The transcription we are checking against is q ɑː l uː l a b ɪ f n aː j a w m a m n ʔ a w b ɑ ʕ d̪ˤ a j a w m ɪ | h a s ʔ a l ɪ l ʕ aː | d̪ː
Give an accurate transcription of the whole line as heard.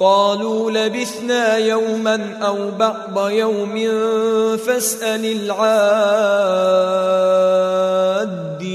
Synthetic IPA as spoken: q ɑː l uː l a b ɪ θ n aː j a w m a n ʔ a w b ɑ ʕ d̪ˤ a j a w m ɪ | f a s ʔ a l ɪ l ʕ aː | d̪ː